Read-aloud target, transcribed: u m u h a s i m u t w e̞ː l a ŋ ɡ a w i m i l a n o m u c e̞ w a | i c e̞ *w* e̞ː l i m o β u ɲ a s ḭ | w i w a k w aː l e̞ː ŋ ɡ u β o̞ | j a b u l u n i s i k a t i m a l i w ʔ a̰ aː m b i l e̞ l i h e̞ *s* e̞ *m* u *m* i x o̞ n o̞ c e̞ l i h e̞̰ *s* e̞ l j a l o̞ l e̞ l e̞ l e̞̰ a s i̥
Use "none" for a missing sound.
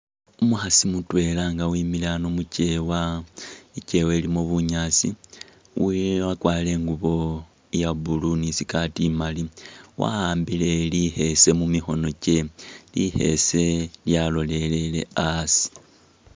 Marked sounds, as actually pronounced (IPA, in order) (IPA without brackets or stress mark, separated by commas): w, s, m, m, s